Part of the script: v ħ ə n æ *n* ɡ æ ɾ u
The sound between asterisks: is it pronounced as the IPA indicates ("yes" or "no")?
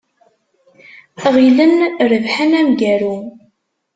no